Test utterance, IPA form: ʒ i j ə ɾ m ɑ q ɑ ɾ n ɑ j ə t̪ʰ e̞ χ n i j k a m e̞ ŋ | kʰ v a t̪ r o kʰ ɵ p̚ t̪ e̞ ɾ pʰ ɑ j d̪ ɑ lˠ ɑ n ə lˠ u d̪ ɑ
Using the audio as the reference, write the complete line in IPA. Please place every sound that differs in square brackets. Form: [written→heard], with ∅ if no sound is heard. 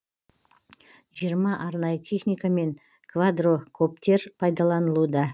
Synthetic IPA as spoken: ʒ i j ə ɾ m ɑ [q→ʔ] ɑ ɾ n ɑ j ə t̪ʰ e̞ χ n i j k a m e̞ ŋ | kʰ v a [t̪→d̪] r o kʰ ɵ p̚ t̪ e̞ ɾ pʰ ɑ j d̪ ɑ lˠ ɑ n ə lˠ u d̪ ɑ

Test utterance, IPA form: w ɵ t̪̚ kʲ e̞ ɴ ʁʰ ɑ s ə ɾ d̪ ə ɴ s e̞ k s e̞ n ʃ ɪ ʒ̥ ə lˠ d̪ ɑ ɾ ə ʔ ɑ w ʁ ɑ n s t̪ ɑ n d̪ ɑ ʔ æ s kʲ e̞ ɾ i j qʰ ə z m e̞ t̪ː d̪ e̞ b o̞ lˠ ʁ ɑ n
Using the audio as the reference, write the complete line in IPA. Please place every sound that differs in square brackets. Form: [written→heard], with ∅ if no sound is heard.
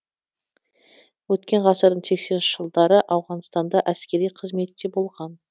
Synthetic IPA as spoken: w ɵ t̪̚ kʲ e̞ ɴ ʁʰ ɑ s ə ɾ d̪ ə ɴ s e̞ k s e̞ n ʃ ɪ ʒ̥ ə lˠ d̪ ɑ ɾ ə ʔ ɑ w ʁ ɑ n s t̪ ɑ n d̪ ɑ ʔ æ s kʲ e̞ ɾ i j qʰ ə z m e̞ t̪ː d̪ e̞ b o̞ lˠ ʁ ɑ n

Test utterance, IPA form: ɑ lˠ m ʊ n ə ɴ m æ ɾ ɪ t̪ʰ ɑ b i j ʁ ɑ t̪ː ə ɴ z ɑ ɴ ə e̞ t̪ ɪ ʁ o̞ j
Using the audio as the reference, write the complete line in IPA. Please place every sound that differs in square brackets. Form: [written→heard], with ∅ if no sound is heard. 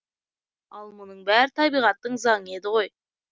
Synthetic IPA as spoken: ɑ lˠ m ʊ n ə ɴ [m→b] æ ɾ ɪ t̪ʰ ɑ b i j ʁ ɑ t̪ː ə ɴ z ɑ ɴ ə e̞ [t̪→d̪] ɪ ʁ o̞ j

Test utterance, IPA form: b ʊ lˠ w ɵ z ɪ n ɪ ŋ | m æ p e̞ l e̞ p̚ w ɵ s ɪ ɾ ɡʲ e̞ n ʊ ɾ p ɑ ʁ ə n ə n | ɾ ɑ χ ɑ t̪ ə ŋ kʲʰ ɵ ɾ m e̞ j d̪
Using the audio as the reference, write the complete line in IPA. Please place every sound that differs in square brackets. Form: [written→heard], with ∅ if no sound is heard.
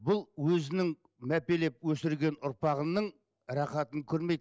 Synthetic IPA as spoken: b ʊ lˠ w ɵ z ɪ n ɪ ŋ | m æ p e̞ l e̞ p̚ w ɵ s ɪ ɾ ɡʲ e̞ n ʊ ɾ p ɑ ʁ ə n ə [n→ɴ] | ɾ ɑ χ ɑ t̪ ə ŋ kʲʰ ɵ ɾ m e̞ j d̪

